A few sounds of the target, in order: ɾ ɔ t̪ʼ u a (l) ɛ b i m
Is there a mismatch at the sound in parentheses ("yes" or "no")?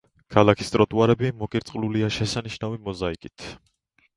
yes